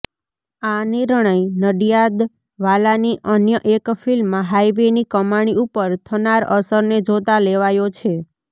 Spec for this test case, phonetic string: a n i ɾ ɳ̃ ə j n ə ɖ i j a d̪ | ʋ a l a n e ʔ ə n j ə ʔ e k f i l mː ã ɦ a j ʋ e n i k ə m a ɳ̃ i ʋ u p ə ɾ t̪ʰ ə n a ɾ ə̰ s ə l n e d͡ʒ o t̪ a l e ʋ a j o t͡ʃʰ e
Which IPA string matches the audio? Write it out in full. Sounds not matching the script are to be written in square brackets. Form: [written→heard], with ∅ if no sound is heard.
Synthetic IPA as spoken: a n i ɾ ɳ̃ ə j n ə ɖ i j a d̪ | ʋ a l a n [e→i] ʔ ə n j ə ʔ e k f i l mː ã ɦ a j ʋ e n i k ə m a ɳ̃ i [ʋ→∅] u p ə ɾ t̪ʰ ə n a ɾ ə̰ s ə [l→ɾ] n e d͡ʒ o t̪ a l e ʋ a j o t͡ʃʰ e